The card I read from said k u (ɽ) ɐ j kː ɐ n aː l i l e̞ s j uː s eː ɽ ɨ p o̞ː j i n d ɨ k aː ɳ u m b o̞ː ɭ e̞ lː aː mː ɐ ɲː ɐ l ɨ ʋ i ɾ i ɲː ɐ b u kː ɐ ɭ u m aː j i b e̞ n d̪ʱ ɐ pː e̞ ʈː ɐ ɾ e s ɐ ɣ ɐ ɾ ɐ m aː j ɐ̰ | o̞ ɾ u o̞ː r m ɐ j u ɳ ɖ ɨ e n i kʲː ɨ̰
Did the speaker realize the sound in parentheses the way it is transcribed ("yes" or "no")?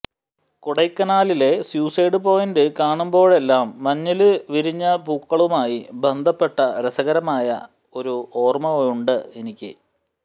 yes